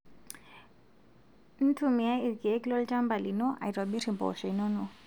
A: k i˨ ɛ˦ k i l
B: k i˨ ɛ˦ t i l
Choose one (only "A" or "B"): A